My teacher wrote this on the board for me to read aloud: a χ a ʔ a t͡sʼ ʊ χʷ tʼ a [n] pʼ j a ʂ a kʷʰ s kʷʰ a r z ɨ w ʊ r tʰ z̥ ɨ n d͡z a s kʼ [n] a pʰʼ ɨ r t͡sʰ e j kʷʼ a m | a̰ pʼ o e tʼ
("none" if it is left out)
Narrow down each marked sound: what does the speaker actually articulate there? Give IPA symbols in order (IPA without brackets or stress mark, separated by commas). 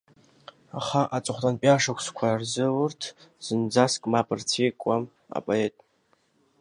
n, m